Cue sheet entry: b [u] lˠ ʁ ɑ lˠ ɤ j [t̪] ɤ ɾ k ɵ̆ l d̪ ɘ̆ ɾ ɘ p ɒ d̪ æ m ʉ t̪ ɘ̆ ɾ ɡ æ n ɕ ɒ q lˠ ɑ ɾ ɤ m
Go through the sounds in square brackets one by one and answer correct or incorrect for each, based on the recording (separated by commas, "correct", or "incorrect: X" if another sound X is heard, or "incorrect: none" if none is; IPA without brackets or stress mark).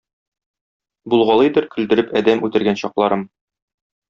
correct, incorrect: d̪